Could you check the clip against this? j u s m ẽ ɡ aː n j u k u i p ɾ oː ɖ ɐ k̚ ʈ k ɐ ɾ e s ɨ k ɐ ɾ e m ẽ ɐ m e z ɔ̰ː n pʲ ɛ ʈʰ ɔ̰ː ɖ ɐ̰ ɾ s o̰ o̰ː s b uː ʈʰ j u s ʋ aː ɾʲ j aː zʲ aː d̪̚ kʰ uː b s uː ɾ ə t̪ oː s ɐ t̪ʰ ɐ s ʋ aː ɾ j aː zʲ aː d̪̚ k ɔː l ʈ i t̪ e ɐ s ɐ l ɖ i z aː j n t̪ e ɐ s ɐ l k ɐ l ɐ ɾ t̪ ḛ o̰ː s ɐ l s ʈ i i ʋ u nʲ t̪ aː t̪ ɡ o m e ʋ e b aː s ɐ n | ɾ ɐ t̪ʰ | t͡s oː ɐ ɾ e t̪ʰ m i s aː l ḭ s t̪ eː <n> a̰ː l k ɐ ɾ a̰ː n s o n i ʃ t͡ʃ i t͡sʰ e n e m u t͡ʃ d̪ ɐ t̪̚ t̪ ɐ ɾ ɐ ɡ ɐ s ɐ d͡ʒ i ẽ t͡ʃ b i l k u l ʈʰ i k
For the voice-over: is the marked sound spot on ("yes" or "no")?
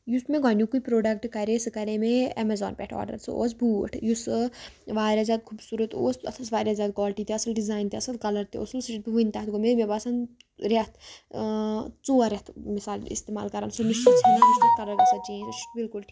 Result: no